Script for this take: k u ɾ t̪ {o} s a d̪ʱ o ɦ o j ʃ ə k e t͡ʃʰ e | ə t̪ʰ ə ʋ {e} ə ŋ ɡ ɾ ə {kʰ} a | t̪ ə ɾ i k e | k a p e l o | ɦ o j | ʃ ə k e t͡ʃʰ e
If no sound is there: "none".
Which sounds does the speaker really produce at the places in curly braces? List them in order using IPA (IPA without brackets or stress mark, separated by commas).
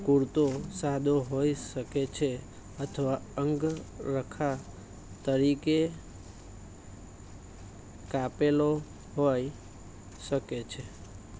o, a, kʰ